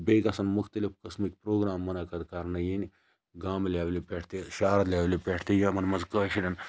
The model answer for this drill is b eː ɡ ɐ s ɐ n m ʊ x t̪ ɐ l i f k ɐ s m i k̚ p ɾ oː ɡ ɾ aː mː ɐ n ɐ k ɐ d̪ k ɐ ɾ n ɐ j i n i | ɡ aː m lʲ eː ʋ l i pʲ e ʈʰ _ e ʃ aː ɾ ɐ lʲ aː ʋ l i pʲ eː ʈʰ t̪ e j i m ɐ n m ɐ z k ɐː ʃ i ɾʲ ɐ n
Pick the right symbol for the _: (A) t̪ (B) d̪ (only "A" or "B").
A